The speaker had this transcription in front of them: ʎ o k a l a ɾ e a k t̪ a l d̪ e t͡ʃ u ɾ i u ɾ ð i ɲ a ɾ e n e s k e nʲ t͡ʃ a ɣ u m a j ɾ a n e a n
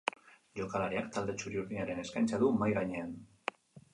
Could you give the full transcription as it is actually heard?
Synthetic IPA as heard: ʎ o k a l a ɾ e a k t̪ a l d̪ e t͡ʃ u ɾ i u ɾ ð i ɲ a ɾ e n e s k a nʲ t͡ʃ a ð u m a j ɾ a ɲ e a n